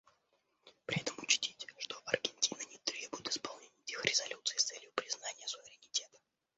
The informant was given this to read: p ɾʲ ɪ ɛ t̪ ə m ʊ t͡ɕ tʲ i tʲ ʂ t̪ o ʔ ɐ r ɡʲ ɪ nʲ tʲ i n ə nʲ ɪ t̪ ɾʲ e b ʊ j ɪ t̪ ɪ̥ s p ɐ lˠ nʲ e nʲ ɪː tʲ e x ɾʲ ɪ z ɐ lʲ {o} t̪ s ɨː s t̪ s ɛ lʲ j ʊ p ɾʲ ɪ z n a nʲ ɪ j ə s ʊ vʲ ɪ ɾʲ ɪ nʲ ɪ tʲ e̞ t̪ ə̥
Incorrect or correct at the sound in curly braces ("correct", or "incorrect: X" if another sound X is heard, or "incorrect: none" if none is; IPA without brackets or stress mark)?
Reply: incorrect: u